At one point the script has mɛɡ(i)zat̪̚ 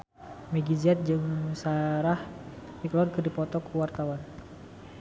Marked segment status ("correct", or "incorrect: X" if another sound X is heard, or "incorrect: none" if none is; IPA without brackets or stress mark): correct